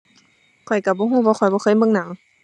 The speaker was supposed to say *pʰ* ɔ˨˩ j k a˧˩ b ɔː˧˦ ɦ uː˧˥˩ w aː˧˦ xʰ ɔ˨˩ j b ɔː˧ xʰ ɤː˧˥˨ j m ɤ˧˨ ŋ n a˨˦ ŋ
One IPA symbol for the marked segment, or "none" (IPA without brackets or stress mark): kʰ